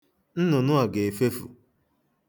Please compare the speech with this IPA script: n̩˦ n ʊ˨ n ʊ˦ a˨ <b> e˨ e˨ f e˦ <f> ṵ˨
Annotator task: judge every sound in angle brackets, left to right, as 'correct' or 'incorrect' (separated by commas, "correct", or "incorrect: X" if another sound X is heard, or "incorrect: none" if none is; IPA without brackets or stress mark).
incorrect: ɡ, correct